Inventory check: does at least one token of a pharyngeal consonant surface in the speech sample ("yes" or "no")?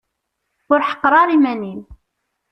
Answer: yes